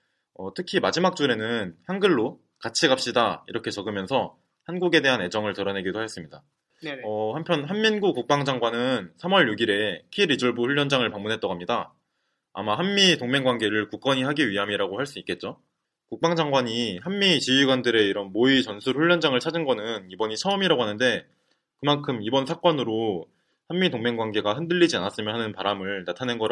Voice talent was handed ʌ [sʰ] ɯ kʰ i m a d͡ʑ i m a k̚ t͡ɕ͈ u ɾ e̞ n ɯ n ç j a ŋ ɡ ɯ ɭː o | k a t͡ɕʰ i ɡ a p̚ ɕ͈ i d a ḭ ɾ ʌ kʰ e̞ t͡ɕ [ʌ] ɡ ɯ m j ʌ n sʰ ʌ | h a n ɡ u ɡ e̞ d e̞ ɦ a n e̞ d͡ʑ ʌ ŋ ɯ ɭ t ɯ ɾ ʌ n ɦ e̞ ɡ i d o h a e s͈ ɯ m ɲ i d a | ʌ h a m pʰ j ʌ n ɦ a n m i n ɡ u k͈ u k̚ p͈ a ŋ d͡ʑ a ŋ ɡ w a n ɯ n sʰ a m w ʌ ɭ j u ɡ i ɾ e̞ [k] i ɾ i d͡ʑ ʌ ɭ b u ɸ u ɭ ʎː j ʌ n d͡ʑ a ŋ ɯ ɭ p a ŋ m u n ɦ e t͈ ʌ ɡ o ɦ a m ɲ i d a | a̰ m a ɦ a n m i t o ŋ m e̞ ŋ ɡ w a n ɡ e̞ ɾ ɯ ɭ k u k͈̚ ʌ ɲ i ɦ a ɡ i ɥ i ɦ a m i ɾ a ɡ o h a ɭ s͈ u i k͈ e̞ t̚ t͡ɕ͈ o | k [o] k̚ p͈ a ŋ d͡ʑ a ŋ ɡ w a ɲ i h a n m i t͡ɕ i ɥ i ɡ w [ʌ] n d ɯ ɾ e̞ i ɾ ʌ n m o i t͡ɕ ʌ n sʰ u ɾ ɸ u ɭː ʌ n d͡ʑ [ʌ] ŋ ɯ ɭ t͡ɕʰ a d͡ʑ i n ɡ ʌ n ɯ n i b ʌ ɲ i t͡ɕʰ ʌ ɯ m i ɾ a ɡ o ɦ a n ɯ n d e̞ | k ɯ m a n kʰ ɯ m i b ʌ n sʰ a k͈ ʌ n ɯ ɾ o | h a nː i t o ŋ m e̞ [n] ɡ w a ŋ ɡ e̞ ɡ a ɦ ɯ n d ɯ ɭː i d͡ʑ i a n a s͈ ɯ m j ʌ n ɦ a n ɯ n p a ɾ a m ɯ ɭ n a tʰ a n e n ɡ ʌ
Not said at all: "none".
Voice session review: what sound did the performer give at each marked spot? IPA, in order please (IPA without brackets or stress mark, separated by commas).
tʰ, ʌ, kʰ, u, a, a, ŋ